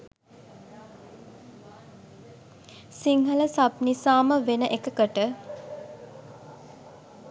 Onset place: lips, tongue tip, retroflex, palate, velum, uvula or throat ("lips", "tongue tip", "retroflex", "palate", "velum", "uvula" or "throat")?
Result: tongue tip